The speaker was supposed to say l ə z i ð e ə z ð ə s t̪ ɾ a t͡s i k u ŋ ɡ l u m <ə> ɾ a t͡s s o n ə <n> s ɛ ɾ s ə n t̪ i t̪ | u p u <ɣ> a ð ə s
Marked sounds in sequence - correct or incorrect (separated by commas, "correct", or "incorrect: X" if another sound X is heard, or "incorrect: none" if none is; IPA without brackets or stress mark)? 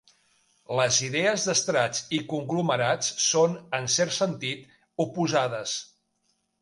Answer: correct, correct, incorrect: z